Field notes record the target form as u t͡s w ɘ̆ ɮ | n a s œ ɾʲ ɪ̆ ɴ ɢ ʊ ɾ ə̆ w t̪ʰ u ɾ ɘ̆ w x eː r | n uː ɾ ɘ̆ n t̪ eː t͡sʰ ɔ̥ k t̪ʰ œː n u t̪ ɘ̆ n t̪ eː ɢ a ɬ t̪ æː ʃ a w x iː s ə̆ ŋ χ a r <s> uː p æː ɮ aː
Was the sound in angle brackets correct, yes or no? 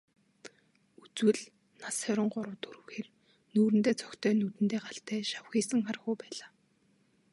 no